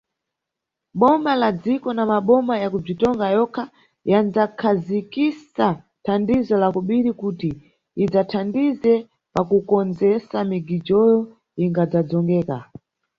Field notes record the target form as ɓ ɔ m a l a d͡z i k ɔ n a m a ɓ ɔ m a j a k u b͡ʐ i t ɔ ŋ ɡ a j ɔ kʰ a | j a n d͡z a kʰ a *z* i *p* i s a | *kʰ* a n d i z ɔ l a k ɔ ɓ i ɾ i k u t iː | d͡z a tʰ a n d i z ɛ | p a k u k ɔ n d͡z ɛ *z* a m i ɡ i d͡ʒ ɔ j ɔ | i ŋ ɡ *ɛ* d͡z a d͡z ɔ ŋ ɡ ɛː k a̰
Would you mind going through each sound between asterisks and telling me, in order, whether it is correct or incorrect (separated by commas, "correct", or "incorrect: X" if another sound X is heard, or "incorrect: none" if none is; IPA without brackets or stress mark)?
correct, incorrect: k, incorrect: tʰ, incorrect: s, incorrect: a